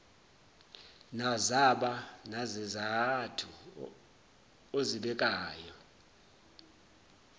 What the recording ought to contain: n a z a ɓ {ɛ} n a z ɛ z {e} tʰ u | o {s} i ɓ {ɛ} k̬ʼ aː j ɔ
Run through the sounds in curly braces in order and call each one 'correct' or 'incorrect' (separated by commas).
incorrect, incorrect, incorrect, correct